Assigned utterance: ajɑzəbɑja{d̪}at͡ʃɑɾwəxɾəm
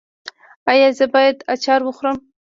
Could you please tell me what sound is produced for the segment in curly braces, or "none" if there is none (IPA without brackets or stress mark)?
d̪